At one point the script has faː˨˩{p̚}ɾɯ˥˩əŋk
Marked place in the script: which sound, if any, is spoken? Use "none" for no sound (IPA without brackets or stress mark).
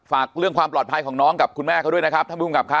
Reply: k̚